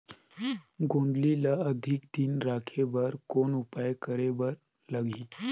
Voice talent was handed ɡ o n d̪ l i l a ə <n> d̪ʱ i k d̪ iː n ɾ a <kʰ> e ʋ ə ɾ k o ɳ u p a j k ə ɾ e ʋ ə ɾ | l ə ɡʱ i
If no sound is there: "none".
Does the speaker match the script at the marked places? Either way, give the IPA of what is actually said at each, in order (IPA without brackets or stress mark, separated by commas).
none, kʰ